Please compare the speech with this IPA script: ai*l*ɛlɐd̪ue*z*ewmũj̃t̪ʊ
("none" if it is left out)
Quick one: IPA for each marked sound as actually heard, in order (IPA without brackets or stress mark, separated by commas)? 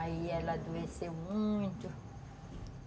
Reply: none, s